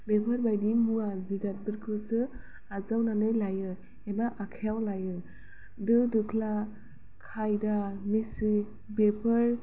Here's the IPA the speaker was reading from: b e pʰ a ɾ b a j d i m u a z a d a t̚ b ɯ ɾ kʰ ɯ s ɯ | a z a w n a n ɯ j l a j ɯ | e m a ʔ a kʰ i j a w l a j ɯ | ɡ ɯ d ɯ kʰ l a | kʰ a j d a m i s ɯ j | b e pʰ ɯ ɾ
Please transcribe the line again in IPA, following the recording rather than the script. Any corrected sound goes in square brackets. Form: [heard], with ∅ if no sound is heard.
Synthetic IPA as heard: b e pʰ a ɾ b a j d i m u a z [i] d a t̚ b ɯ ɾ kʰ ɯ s ɯ | a z a w n a n ɯ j l a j ɯ | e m a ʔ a kʰ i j a w l a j ɯ | [d] ɯ d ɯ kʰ l a | kʰ a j d a m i s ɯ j | b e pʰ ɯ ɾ